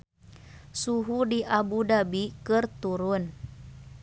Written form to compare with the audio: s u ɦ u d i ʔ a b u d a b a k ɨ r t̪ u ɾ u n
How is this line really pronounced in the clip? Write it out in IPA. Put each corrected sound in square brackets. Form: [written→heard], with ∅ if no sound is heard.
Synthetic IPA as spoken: s u ɦ u d i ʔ a b u d a b [a→i] k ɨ r t̪ u ɾ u n